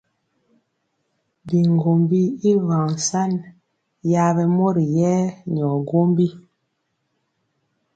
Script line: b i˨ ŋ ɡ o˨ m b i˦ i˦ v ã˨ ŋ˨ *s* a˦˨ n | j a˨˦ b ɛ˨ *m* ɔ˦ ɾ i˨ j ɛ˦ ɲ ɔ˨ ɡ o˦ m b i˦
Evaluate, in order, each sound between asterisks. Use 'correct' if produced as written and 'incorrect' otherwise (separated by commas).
correct, correct